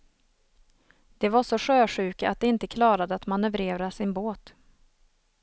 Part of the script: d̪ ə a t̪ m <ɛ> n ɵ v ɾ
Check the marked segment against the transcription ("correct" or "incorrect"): incorrect